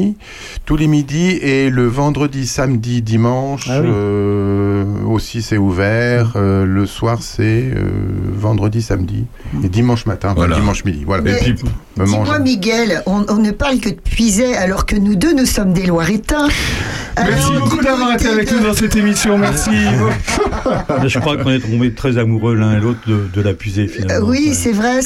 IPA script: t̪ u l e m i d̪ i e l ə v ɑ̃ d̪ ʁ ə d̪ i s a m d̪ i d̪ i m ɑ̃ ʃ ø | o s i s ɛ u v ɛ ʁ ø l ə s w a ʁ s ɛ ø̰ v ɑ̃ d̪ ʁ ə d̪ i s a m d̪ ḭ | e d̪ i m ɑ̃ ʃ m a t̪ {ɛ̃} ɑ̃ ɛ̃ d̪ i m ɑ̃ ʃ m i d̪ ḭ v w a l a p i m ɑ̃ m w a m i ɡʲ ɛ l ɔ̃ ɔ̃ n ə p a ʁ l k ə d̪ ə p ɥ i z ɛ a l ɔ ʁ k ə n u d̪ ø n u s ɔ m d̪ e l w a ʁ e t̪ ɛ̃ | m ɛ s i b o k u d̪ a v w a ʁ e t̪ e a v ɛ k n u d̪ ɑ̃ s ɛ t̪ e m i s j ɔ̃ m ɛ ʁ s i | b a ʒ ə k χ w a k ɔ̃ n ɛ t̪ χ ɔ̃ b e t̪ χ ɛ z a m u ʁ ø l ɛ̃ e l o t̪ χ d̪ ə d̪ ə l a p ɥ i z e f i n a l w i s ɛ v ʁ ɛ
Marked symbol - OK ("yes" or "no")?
yes